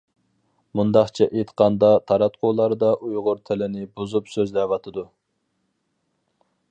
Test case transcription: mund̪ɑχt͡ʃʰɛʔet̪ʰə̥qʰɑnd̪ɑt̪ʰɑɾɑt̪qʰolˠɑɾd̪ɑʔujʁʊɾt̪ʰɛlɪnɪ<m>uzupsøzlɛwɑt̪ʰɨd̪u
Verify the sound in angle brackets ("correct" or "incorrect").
incorrect